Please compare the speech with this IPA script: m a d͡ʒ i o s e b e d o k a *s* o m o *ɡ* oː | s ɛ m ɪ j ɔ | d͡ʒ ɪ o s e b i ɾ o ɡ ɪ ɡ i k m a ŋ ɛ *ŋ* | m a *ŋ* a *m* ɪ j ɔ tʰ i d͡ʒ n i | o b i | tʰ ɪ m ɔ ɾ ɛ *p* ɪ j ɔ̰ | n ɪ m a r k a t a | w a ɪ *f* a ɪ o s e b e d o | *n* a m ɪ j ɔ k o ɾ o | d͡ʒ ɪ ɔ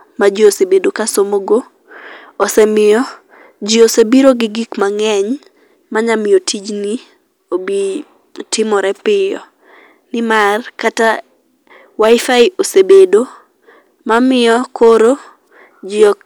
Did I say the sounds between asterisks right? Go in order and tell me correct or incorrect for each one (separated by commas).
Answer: correct, correct, incorrect, incorrect, correct, correct, correct, incorrect